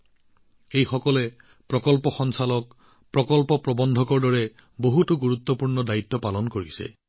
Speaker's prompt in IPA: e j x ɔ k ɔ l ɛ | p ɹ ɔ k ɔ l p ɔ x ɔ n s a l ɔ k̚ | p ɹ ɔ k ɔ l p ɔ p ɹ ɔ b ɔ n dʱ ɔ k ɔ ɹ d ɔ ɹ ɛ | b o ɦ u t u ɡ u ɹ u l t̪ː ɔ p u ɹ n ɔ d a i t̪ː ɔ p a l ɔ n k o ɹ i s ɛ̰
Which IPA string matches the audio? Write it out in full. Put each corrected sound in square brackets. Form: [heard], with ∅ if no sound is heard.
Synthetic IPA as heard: e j x ɔ k ɔ l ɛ | p ɹ ɔ k ɔ l p ɔ x ɔ n s a l ɔ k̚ | p ɹ ɔ k ɔ l p ɔ p ɹ ɔ b ɔ n dʱ ɔ k ɔ ɹ d ɔ ɹ ɛ | b o ɦ u t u ɡ u ɹ u [∅] t̪ː ɔ p u ɹ n ɔ d a i t̪ː ɔ p a l ɔ n k o ɹ i s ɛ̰